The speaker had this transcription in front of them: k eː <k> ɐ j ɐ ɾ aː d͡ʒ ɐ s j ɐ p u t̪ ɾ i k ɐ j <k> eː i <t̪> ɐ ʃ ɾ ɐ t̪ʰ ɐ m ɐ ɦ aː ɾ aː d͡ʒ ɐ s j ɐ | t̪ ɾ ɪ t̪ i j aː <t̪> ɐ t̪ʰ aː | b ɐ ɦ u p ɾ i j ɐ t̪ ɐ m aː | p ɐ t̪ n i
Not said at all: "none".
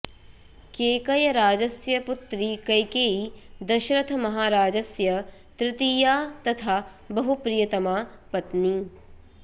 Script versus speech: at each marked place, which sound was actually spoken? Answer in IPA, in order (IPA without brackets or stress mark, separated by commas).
k, k, d̪, t̪